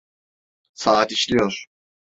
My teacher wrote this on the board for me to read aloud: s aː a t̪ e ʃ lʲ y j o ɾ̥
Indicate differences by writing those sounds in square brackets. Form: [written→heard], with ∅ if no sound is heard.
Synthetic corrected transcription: s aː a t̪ [e→i] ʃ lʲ [y→i] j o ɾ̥